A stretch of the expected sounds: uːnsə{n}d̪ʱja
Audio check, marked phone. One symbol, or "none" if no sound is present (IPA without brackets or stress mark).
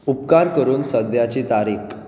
none